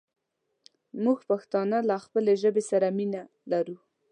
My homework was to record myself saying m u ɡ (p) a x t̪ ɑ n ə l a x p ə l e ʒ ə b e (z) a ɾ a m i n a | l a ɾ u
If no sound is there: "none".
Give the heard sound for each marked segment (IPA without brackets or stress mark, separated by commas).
p, s